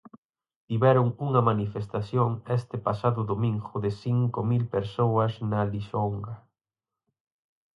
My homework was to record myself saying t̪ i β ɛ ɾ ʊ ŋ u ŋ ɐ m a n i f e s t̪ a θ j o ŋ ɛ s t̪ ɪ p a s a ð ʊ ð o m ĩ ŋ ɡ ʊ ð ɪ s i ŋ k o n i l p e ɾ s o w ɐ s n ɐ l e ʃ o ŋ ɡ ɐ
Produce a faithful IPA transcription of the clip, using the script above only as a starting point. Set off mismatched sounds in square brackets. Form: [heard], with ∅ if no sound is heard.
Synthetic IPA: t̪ i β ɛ ɾ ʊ ŋ u ŋ ɐ m a n i f e s t̪ a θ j o ŋ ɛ s t̪ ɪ p a s a ð ʊ ð o m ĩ ŋ ɡ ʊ ð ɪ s i ŋ k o [m] i l p e ɾ s o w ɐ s n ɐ l [i] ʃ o ŋ ɡ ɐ